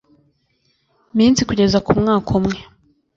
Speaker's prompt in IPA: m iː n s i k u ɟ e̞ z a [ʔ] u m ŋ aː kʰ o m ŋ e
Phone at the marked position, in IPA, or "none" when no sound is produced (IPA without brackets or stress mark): k